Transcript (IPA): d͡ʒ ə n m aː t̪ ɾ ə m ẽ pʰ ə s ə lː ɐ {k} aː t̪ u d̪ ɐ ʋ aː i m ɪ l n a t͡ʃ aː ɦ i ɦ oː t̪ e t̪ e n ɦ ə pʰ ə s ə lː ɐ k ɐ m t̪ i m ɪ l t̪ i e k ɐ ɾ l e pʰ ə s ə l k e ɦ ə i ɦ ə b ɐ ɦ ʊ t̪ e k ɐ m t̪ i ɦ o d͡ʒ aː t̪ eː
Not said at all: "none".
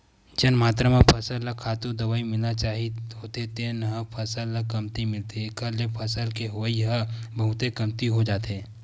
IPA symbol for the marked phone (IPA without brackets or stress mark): kʰ